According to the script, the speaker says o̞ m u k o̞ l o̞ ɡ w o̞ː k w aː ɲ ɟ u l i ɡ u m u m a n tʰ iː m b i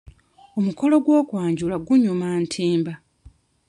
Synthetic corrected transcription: o̞ m u k o̞ l o̞ ɡ w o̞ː k w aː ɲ ɟ u l a ɡ u ɲ u m a n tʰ iː m b a